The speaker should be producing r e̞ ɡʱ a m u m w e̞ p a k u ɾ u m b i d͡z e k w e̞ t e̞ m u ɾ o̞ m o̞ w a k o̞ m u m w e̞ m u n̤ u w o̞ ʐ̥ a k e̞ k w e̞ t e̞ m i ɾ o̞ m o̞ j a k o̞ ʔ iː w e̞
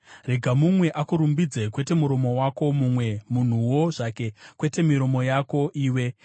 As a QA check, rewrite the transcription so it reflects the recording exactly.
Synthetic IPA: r e̞ ɡʱ a m u m w e̞ ʔ a k u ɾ u m b i d͡z e k w e̞ t e̞ m u ɾ o̞ m o̞ w a k o̞ m u m w e̞ m u n̤ u w o̞ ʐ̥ a k e̞ k w e̞ t e̞ m i ɾ o̞ m o̞ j a k o̞ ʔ iː w e̞